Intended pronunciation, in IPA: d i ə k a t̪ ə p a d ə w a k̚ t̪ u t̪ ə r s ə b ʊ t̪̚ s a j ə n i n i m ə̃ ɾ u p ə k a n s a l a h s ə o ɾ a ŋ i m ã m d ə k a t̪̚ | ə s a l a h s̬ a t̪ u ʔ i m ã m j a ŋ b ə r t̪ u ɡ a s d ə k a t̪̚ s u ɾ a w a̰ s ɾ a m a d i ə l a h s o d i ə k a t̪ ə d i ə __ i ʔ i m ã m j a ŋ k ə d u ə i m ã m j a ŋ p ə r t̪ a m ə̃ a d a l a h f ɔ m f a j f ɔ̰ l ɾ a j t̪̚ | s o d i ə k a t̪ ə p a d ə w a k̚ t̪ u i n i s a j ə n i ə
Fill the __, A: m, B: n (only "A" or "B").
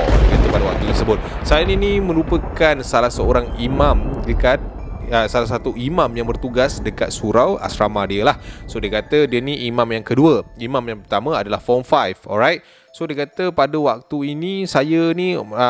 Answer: B